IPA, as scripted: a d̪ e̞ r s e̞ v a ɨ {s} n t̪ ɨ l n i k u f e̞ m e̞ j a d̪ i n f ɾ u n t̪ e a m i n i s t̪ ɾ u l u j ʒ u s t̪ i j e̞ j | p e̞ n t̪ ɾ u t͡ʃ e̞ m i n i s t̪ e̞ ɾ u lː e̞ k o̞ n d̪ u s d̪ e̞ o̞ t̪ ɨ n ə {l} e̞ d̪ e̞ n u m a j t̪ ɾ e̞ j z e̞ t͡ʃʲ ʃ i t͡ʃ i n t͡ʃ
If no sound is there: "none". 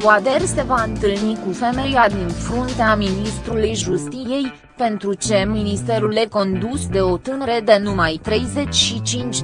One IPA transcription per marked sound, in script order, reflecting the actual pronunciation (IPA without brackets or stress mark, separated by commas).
none, ɾ